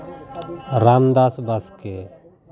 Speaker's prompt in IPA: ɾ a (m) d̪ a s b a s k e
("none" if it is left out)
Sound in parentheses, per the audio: m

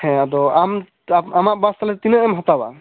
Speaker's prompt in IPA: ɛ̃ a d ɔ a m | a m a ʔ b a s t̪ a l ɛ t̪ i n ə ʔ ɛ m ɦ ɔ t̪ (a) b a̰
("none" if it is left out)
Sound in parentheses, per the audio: a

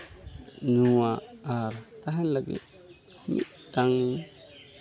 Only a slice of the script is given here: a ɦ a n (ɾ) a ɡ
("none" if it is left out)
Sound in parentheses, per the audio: l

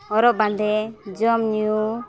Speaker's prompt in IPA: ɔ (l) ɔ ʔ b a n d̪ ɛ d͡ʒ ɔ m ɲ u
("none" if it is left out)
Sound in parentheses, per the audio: ɾ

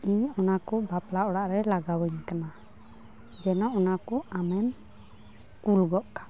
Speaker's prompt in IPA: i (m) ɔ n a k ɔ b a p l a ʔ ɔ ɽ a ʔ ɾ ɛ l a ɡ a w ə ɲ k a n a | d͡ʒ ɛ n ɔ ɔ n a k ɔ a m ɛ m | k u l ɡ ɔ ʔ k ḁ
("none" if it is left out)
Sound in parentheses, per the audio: ɲ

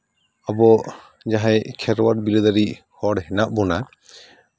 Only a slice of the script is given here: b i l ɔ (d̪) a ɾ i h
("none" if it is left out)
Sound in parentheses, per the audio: d̪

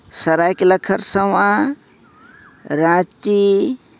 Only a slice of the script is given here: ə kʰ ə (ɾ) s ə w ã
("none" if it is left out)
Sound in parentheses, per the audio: ɾ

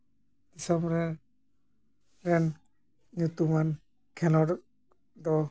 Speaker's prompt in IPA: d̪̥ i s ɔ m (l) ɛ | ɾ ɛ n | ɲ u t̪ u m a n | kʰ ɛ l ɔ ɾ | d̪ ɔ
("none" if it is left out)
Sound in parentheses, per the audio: ɾ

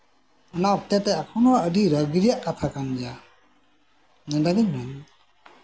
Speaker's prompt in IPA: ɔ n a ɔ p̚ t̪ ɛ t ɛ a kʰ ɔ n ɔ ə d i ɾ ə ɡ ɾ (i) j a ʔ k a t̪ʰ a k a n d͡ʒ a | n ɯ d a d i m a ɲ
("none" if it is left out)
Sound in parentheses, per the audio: i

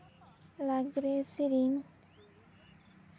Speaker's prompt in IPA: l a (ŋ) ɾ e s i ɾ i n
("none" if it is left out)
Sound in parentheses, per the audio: ɡ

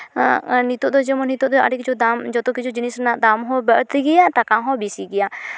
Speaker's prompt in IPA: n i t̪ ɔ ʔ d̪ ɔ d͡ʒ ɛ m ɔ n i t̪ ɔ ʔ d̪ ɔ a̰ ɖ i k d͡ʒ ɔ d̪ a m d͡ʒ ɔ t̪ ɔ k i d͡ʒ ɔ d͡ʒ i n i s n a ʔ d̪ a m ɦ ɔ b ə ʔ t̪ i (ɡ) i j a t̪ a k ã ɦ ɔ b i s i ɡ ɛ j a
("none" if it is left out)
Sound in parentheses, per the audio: ɡ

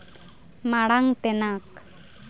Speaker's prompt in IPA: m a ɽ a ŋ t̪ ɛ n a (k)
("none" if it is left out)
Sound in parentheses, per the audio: k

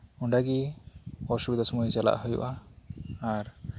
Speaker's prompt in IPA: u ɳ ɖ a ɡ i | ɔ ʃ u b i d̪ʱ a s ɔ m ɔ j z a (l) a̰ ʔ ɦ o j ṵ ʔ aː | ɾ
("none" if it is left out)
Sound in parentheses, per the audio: l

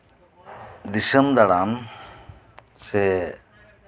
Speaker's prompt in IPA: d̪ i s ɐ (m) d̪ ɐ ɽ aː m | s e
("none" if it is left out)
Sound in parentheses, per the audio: m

